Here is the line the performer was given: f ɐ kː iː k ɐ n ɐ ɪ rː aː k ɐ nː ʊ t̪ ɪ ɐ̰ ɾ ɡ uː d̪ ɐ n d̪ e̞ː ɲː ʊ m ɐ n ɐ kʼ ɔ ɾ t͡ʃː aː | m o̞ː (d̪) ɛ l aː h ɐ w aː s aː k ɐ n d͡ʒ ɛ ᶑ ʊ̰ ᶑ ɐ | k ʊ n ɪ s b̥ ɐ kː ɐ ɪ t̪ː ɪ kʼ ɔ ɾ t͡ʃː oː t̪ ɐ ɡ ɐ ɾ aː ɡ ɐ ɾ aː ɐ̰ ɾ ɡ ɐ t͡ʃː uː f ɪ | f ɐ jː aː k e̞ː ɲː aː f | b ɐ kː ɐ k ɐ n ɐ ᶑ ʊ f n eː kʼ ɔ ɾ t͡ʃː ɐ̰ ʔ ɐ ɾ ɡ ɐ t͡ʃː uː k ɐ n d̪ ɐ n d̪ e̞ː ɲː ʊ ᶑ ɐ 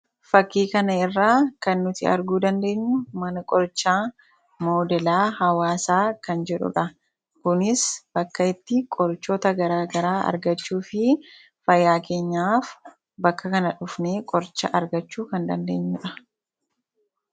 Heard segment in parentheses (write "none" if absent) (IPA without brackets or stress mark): d̪